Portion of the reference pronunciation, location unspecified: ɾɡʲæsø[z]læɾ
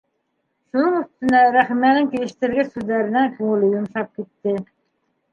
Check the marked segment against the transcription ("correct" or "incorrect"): correct